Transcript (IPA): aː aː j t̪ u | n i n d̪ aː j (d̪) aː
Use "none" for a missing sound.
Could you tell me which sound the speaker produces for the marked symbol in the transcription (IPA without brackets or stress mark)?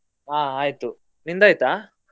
t̪